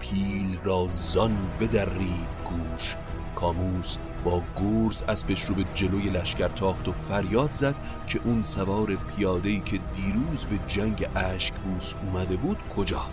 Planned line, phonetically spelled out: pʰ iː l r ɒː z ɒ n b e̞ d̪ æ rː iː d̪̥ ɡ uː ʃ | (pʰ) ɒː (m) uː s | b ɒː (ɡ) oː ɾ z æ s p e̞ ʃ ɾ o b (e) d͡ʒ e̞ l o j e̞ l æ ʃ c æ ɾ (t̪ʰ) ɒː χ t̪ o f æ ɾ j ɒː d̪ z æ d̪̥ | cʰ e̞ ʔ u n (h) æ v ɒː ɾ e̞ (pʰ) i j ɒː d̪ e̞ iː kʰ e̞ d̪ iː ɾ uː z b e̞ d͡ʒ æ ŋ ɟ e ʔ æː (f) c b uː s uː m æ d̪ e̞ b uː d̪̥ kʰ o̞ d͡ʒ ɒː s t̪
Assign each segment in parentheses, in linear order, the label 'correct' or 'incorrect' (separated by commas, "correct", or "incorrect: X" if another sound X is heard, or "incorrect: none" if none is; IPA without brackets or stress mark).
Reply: incorrect: kʰ, correct, correct, correct, correct, incorrect: s, correct, incorrect: ʃ